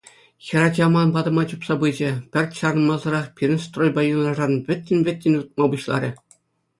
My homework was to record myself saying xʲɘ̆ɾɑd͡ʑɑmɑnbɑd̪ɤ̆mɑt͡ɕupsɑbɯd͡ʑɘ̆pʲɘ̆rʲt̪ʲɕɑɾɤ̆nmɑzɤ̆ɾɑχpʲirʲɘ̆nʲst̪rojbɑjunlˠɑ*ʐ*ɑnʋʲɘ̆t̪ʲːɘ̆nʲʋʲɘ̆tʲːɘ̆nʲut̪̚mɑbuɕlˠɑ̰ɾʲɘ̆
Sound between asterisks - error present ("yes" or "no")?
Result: no